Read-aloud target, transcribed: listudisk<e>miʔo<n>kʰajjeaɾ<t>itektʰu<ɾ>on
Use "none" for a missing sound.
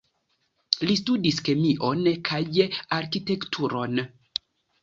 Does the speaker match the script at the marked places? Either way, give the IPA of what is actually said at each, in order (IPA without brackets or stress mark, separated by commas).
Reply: e, n, k, ɾ